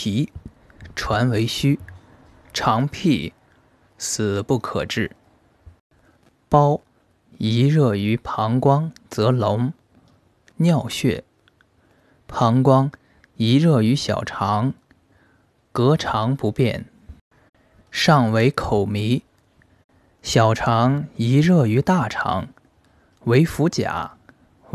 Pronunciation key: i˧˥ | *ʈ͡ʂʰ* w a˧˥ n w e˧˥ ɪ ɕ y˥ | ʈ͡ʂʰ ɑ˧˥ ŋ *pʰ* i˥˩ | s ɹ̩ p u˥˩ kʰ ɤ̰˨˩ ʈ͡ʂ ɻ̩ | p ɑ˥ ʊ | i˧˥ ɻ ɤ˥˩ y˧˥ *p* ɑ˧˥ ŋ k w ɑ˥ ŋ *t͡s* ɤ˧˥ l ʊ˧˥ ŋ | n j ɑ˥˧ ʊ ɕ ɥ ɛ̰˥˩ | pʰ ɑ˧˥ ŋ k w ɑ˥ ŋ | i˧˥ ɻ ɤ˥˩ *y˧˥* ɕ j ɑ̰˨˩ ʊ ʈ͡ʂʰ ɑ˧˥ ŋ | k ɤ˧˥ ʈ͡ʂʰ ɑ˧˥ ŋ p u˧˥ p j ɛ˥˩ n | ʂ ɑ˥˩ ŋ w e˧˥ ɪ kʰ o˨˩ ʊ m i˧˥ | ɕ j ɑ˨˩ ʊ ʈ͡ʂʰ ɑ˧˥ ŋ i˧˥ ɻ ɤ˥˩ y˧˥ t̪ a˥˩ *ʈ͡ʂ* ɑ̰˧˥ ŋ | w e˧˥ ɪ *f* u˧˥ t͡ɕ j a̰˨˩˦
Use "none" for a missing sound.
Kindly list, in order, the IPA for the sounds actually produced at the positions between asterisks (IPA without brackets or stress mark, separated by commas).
ʈ͡ʂʰ, pʰ, pʰ, t͡s, y˧˥, ʈ͡ʂʰ, f